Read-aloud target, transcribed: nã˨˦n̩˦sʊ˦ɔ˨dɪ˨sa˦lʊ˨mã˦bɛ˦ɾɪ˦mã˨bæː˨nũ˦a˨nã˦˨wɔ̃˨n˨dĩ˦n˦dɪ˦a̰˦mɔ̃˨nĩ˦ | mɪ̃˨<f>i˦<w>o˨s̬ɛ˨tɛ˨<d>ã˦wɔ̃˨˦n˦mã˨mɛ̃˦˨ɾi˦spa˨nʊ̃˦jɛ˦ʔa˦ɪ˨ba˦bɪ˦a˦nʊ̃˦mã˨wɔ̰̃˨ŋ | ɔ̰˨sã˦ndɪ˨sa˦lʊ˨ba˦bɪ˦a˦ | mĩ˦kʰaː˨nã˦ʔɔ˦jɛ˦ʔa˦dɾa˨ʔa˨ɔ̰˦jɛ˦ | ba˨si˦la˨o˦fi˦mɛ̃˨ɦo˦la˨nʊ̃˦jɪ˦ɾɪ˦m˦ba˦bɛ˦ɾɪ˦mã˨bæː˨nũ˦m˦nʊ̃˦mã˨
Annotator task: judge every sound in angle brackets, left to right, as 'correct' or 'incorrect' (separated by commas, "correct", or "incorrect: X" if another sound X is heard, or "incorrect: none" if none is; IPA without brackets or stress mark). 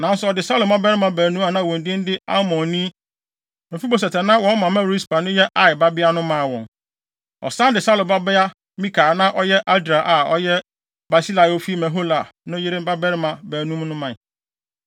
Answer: correct, incorrect: b, incorrect: n